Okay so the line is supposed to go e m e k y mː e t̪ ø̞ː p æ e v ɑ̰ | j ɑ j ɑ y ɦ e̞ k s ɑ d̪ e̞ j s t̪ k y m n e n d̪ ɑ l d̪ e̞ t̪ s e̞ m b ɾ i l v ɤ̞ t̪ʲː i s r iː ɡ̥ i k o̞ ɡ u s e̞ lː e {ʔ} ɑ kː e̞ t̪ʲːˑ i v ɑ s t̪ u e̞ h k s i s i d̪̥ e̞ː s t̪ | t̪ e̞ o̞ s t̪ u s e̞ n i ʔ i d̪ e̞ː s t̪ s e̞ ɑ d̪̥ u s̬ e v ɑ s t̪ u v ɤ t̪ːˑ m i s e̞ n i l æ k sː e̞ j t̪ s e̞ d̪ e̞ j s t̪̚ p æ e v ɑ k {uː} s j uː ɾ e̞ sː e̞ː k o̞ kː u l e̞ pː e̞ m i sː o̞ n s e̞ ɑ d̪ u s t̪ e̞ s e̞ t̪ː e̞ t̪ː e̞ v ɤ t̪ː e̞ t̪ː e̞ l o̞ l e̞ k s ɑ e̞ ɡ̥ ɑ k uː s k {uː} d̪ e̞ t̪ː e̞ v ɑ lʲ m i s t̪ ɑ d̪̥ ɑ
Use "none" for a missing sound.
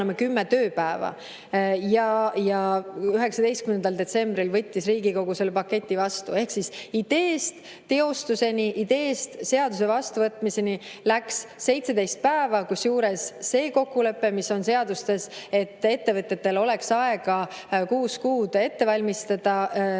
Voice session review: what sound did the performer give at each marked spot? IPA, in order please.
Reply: p, u, uː

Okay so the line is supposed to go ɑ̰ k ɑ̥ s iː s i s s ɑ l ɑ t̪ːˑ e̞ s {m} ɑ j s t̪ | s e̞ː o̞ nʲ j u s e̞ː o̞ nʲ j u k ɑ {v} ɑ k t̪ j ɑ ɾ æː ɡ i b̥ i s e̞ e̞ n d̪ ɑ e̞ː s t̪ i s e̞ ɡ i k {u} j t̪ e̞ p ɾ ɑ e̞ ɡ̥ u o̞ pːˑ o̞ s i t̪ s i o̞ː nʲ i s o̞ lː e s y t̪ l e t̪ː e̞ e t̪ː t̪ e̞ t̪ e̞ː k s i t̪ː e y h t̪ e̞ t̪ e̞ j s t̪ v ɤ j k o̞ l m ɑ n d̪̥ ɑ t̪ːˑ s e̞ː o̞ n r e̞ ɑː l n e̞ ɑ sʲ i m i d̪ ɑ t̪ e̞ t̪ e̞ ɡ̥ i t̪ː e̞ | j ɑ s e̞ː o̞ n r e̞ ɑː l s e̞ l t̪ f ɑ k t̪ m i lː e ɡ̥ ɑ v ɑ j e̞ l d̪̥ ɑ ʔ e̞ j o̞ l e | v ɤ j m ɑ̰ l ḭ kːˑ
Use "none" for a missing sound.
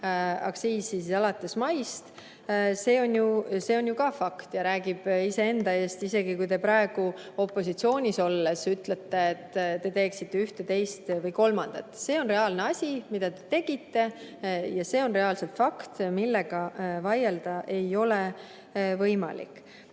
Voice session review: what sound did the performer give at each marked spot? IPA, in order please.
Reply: m, f, u

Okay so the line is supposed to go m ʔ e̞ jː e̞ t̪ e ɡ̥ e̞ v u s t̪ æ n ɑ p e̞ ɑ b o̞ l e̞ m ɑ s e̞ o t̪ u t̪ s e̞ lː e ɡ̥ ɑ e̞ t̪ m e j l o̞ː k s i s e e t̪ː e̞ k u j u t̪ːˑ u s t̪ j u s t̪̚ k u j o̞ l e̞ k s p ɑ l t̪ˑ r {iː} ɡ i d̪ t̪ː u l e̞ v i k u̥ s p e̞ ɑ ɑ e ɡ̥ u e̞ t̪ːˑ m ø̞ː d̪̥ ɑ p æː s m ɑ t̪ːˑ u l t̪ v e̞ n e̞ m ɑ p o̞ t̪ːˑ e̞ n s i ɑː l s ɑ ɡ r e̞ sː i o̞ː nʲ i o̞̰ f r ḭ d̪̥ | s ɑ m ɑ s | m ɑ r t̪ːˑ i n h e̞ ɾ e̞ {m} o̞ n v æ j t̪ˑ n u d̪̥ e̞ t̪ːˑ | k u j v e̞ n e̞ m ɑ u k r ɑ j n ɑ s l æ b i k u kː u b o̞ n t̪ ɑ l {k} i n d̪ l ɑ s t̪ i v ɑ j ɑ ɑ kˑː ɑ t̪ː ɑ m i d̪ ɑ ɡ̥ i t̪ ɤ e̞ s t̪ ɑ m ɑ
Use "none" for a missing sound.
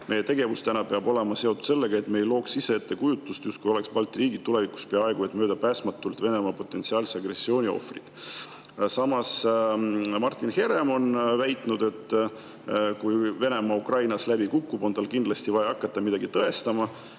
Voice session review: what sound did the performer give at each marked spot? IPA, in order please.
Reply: iː, m, k

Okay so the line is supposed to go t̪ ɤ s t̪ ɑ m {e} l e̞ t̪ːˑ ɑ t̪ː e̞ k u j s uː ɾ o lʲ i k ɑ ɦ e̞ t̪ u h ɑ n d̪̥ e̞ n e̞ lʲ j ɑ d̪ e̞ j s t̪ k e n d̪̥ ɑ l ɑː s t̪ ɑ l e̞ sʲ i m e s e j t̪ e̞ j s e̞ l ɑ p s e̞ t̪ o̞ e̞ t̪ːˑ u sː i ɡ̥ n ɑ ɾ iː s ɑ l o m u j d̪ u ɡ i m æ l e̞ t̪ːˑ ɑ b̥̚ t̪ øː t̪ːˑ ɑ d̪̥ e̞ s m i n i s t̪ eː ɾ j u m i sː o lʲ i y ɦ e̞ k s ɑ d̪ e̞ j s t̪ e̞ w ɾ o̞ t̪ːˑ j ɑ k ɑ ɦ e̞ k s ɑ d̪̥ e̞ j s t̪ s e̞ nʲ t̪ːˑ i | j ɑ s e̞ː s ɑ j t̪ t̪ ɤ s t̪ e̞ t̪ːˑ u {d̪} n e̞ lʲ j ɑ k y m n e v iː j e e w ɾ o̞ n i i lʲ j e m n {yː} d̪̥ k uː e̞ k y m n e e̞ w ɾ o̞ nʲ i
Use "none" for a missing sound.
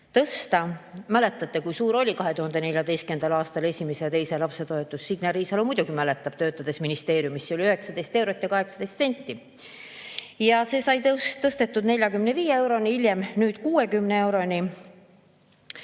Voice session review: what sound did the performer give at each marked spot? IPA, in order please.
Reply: æ, d̪, yː

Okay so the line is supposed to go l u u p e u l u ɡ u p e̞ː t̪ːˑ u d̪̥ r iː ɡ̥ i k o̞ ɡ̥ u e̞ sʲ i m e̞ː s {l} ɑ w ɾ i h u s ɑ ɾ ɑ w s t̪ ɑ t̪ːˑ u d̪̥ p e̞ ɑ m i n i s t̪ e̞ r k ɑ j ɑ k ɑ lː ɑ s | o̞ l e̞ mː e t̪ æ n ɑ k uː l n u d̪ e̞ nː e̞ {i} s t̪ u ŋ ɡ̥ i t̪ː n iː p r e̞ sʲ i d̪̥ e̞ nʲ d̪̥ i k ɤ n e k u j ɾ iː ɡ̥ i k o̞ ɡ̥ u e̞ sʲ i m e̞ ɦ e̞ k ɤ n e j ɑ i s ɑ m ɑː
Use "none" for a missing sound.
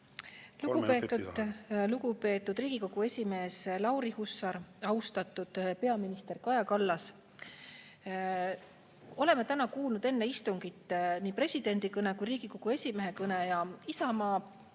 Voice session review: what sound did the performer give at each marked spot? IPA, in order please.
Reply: l, i

